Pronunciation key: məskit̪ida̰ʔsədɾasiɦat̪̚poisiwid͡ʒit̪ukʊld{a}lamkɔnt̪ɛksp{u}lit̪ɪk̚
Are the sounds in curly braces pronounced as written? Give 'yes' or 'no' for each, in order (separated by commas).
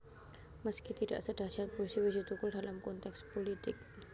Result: yes, no